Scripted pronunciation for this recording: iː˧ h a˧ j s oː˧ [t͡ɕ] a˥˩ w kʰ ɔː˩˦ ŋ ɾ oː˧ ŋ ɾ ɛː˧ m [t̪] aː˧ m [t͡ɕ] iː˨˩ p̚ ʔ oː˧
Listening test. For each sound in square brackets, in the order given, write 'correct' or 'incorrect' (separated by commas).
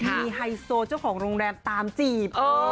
correct, correct, correct